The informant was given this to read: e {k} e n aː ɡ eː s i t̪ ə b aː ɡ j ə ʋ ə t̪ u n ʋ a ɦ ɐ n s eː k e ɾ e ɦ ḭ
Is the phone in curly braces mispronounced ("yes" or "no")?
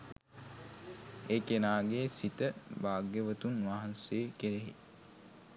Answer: no